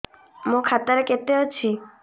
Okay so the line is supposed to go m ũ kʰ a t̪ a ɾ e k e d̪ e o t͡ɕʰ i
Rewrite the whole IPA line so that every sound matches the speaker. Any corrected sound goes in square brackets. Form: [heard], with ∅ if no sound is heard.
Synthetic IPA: m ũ kʰ a t̪ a ɾ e k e [t̪] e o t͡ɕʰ i